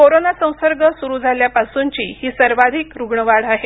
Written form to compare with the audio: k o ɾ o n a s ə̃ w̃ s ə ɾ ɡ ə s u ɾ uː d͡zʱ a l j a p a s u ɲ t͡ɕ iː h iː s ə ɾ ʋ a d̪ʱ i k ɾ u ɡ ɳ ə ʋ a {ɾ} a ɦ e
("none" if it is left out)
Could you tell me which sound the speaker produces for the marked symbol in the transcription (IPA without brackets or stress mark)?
ɽ